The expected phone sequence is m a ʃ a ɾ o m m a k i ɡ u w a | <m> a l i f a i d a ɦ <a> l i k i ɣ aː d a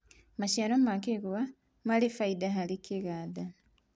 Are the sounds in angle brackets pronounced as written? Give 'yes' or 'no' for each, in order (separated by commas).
yes, yes